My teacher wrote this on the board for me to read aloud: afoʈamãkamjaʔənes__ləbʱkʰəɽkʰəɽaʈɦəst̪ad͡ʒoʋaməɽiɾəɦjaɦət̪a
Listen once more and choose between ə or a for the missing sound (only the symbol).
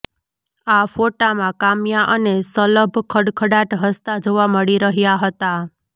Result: ə